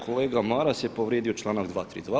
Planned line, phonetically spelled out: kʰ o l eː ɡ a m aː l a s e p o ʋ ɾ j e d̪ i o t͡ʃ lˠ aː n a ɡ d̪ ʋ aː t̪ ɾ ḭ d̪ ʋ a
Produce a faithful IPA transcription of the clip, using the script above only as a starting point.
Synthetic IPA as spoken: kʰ o l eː ɡ a m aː ɾ a s e p o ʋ ɾ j e d̪ i o t͡ʃ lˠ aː n a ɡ d̪ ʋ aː t̪ ɾ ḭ d̪ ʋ a